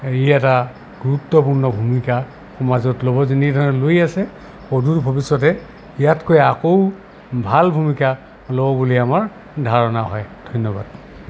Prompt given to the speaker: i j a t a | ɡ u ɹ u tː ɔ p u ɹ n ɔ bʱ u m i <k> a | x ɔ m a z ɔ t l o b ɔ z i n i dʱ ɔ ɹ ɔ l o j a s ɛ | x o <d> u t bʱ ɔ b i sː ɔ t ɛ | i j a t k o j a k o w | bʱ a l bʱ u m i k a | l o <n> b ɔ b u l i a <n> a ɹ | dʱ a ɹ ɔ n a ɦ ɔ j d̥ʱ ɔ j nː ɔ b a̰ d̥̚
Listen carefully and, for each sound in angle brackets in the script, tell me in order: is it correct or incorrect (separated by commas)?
correct, correct, incorrect, incorrect